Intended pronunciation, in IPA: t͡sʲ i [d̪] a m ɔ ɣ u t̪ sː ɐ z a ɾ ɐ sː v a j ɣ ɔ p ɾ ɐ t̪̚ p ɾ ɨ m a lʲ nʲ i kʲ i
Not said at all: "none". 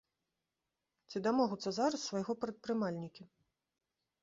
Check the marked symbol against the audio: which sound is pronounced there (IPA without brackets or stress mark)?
d̪